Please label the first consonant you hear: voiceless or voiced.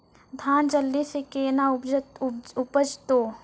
voiced